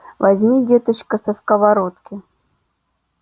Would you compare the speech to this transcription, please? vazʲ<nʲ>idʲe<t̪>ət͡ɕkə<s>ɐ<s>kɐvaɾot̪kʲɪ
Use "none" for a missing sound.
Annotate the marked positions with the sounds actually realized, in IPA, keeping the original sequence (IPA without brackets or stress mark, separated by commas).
mʲ, t̪, s, s